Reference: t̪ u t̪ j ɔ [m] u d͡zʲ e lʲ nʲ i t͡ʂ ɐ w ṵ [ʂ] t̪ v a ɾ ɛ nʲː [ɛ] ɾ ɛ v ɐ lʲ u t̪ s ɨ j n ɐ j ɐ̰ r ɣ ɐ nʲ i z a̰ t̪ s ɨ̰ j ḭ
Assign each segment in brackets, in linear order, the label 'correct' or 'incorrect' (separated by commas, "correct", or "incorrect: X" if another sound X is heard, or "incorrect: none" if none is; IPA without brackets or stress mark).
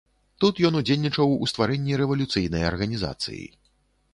incorrect: n, incorrect: s, incorrect: i